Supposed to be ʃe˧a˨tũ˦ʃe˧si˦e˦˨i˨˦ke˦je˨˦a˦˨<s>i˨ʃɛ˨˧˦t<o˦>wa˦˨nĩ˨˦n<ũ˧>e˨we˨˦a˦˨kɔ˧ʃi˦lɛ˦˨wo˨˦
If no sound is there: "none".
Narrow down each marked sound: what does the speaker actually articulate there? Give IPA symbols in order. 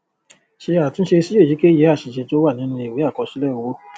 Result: ʃ, o˦, ũ˧

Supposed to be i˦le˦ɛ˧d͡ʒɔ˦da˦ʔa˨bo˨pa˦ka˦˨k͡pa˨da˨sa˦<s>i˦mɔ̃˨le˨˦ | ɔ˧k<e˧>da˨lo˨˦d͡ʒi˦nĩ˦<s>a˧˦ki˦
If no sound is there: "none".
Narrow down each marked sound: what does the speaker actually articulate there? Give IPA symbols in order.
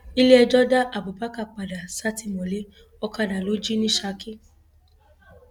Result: t, a˧, ʃ

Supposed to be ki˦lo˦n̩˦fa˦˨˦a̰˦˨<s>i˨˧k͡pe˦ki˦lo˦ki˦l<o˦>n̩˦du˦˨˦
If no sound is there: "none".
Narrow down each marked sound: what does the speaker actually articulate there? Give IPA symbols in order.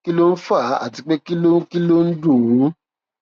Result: t, o˦

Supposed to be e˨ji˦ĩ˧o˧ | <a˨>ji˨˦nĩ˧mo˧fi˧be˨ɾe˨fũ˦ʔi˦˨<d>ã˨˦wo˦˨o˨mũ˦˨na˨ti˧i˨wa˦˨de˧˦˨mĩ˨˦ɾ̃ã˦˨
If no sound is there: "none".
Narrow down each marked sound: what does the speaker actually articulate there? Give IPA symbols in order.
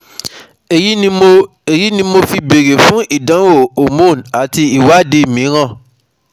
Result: e˨, d

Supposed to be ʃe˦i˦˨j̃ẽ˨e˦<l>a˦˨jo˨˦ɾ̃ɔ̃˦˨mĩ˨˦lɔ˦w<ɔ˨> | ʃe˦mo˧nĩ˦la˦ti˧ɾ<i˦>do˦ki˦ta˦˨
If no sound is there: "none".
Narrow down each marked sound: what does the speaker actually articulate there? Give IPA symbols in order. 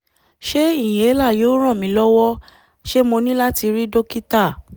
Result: l, ɔ˦, i˦

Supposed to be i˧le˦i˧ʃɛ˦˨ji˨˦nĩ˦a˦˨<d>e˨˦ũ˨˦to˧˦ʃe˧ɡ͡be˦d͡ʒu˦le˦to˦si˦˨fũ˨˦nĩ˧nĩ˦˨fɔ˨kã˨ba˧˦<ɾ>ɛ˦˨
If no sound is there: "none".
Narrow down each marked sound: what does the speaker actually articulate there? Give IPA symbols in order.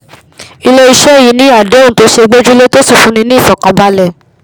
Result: d, l

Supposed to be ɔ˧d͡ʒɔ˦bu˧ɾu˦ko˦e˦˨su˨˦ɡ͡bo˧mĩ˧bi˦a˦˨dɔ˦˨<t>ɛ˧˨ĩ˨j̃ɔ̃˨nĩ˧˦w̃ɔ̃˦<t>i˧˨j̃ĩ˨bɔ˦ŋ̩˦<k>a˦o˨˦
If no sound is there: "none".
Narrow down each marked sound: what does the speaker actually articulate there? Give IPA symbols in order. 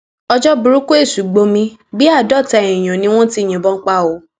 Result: t, t, k͡p

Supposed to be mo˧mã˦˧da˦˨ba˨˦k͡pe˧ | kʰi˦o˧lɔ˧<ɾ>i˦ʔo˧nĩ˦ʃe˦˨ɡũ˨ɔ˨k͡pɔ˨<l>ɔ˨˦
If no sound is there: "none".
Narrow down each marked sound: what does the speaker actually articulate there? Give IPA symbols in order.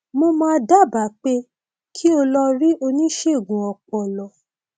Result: ɾ, l

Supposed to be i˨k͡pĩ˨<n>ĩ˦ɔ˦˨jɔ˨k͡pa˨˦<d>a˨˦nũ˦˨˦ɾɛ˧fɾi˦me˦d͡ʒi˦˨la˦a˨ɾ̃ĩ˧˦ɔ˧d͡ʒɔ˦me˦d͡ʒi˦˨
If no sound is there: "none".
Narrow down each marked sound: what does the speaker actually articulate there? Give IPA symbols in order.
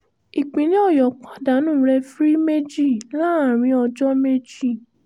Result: n, d

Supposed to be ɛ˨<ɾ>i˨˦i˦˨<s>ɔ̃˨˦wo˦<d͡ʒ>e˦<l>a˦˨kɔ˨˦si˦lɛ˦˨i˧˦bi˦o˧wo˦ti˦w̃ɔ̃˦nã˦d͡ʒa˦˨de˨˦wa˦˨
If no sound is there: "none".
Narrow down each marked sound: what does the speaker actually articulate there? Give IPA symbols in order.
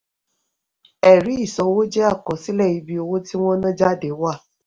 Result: ɾ, s, d͡ʒ, none

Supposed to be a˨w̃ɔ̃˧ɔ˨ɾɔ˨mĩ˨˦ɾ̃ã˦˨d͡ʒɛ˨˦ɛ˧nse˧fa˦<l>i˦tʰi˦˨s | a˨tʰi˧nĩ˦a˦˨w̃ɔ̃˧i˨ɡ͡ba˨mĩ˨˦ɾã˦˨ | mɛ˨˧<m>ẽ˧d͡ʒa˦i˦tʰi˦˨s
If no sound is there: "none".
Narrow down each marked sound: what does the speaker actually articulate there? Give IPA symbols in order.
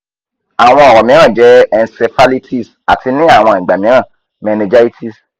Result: l, n

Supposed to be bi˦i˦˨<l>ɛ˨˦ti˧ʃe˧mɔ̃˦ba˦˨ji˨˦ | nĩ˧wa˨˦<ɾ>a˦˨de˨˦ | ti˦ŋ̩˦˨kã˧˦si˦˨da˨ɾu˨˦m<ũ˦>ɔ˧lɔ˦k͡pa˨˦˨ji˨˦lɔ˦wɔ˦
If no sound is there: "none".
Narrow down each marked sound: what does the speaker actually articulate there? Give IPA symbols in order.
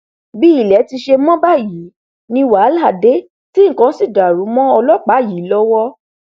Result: l, l, ɔ̃˦

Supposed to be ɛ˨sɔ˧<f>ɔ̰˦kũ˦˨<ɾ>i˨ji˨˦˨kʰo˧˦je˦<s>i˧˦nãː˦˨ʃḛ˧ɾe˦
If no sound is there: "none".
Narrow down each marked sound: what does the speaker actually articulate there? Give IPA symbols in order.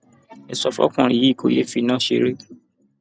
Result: f, ɾ, f

